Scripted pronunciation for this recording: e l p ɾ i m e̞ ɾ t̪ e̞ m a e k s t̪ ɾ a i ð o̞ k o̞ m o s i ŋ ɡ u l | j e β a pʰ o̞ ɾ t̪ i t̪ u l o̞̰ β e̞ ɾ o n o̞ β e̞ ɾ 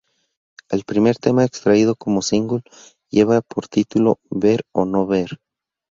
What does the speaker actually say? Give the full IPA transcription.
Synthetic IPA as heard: e l p ɾ i m e̞ ɾ t̪ e̞ m a e k s t̪ ɾ a i ð o̞ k o̞ m o s i ŋ ɡ u l | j e β a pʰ o̞ ɾ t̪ i t̪ u l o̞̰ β e̞ ɾ o n o̞ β e̞ ɾ